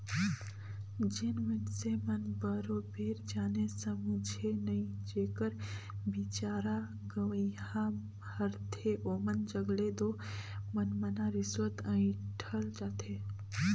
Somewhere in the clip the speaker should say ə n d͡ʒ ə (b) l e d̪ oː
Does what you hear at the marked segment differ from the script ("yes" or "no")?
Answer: yes